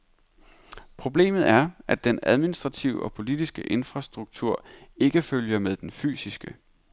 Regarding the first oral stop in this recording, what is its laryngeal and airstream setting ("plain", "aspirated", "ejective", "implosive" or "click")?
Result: aspirated